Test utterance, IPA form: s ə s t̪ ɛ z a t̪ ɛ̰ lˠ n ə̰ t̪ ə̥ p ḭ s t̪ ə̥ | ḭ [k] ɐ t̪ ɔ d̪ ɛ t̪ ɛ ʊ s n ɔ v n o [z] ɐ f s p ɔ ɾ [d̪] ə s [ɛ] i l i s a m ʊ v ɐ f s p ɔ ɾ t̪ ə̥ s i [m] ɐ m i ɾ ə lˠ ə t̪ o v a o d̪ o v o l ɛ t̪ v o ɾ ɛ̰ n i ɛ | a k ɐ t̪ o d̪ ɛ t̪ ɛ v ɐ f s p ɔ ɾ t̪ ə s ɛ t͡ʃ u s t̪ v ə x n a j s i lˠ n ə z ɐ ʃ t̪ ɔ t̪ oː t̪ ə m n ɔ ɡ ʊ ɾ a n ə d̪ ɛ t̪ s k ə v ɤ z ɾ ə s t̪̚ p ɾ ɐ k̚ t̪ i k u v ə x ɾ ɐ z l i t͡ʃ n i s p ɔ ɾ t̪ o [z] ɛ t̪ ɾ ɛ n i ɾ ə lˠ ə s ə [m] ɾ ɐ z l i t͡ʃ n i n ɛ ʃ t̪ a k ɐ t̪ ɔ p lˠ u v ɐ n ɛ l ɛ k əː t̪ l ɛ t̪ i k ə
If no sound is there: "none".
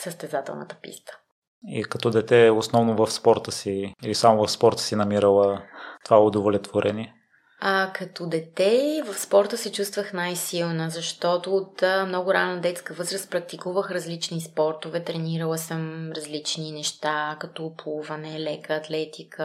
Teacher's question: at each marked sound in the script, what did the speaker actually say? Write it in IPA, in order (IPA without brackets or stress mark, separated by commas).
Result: k, v, t̪, i, n, v, m